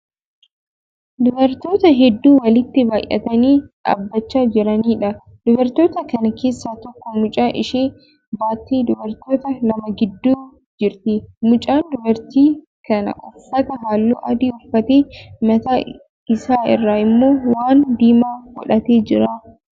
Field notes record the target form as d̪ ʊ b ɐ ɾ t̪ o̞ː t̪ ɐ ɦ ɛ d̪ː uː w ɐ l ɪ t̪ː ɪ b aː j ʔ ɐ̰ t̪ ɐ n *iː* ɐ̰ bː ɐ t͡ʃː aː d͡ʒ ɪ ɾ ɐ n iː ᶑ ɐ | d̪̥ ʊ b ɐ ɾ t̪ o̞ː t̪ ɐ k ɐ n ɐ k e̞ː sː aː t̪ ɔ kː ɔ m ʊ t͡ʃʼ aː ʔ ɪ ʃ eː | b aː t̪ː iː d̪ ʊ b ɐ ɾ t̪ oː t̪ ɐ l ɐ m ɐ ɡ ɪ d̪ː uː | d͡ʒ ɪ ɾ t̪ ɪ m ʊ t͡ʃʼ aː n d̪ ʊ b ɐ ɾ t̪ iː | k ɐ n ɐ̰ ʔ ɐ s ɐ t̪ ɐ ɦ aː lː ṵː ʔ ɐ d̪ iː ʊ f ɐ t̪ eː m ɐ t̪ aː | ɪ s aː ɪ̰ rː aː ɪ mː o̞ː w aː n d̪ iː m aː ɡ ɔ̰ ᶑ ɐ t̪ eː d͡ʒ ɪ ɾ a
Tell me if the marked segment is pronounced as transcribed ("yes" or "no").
yes